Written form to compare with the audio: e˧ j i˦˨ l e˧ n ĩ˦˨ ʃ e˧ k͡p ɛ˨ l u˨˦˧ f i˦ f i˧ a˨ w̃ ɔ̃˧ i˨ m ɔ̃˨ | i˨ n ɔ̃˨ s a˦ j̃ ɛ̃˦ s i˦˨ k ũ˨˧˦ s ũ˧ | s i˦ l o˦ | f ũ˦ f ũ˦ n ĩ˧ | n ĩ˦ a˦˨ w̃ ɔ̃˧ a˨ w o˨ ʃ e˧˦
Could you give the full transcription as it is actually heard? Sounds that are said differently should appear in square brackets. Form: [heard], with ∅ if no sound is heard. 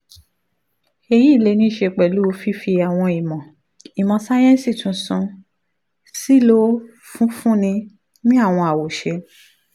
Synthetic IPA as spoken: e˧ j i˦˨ l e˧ n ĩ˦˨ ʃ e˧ k͡p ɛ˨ l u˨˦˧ f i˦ f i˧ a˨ w̃ ɔ̃˧ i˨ m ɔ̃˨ | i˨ [m] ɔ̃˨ s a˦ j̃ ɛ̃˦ s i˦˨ [t] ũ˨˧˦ s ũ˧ | s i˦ l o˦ | f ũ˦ f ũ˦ n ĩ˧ | n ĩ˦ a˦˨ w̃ ɔ̃˧ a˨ w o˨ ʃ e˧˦